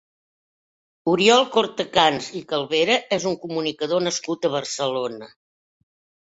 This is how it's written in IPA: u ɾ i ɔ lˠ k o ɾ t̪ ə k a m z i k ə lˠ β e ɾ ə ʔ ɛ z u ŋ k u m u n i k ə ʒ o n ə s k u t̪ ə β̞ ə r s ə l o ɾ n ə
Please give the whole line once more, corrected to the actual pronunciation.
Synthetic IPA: u ɾ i ɔ lˠ k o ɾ t̪ ə k a n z i k ə lˠ β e ɾ ə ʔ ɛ z u ŋ k u m u n i k ə ð o n ə s k u t̪ ə β̞ ə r s ə l o n ə